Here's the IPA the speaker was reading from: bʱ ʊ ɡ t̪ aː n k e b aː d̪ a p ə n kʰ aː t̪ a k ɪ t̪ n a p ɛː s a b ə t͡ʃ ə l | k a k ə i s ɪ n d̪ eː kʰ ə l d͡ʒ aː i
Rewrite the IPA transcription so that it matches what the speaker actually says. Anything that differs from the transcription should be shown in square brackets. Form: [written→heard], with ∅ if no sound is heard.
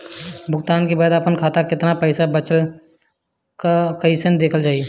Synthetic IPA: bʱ ʊ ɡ t̪ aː n k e b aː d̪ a p ə n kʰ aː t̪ a k ɪ t̪ n a p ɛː s a b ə t͡ʃ ə l | k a k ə i s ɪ n d̪ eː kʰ ə l d͡ʒ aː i